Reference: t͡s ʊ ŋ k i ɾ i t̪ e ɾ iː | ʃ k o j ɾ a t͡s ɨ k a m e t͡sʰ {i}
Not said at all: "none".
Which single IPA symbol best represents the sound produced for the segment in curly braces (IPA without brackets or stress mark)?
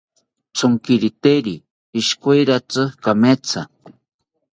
a